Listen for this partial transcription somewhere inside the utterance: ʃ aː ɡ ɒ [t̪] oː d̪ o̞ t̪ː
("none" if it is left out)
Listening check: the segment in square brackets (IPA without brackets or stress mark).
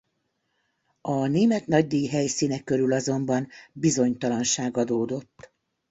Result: d̪